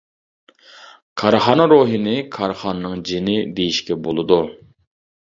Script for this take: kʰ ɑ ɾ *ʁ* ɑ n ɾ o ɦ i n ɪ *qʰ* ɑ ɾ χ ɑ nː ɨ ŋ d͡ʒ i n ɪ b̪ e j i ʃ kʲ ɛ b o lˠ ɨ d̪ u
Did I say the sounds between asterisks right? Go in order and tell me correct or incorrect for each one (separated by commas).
incorrect, incorrect